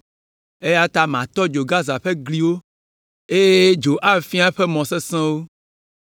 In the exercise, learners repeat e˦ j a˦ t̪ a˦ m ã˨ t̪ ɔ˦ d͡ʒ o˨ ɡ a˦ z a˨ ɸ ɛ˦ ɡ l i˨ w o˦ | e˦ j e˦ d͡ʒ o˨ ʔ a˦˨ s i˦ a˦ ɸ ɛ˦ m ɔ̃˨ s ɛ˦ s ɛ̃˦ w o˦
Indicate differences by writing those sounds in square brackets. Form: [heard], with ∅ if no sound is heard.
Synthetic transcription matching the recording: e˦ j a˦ t̪ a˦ m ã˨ t̪ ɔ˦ d͡ʒ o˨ ɡ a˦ z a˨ ɸ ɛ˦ ɡ l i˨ w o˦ | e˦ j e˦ d͡ʒ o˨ ʔ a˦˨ [f] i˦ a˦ ɸ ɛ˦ m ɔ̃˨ s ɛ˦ s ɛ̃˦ w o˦